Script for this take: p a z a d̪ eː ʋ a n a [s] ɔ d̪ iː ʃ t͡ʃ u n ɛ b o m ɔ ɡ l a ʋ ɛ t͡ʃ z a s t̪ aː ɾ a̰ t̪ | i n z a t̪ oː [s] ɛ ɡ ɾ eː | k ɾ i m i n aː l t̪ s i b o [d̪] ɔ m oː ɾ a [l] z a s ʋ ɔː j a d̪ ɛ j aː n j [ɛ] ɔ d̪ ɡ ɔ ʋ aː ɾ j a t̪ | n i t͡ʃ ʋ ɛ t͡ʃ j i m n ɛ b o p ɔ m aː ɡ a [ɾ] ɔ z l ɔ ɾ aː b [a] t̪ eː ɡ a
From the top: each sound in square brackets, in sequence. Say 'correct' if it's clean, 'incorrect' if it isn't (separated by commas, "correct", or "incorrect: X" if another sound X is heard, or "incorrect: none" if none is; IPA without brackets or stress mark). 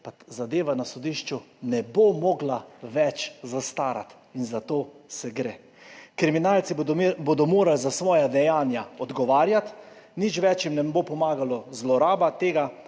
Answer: correct, correct, correct, correct, incorrect: a, incorrect: l, correct